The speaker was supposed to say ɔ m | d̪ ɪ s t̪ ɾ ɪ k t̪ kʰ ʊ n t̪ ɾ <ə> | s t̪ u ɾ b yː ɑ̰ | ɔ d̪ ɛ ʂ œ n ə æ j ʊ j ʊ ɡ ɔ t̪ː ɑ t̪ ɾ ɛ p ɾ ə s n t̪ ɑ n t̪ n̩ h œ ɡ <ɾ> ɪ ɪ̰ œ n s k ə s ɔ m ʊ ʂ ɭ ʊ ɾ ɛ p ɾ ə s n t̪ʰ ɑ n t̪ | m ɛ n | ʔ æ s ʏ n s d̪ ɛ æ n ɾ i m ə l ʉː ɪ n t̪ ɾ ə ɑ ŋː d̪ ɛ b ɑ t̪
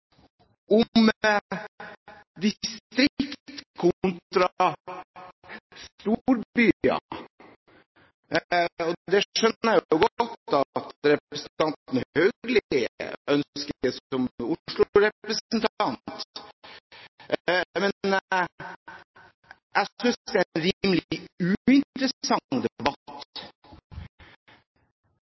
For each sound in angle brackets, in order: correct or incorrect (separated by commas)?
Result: incorrect, incorrect